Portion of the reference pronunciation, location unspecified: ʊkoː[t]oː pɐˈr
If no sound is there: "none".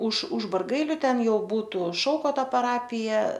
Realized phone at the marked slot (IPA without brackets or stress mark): t